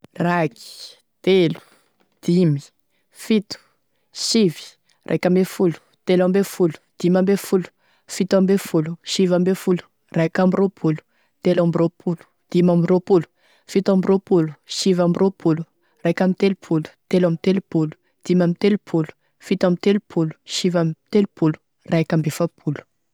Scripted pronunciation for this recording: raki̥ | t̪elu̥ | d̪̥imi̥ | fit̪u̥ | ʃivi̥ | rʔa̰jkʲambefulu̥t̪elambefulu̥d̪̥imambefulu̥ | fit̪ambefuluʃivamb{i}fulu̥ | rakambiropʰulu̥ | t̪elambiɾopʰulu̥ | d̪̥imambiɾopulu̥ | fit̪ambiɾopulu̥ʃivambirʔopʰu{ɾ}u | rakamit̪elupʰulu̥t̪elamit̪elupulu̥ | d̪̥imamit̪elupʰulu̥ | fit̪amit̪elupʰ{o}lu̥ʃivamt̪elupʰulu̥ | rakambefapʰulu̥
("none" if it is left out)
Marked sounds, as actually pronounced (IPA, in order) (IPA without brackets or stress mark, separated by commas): e, l, u